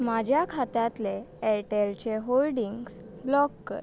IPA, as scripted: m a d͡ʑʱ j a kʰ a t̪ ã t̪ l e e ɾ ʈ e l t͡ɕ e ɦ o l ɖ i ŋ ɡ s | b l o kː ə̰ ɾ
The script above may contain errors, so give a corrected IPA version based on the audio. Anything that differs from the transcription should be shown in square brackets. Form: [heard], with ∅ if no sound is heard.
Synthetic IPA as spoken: m a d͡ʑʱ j a kʰ a t̪ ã t̪ l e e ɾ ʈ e l t͡ɕ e ɦ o l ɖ i ŋ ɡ s | b l [ɔ] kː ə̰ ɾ